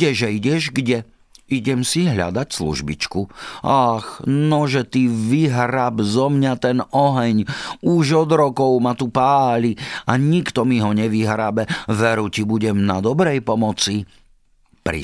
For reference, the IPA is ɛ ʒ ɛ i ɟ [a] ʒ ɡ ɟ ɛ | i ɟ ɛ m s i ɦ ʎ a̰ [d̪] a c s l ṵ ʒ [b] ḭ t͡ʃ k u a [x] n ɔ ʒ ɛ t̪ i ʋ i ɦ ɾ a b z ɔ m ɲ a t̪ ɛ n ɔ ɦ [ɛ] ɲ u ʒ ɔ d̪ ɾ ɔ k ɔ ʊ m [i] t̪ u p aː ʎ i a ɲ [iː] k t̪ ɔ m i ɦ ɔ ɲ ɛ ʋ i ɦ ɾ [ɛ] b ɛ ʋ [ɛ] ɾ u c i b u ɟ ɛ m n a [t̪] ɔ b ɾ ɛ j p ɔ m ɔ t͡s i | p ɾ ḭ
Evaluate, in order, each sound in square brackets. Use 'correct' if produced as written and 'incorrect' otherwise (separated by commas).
incorrect, correct, correct, correct, correct, incorrect, incorrect, incorrect, correct, incorrect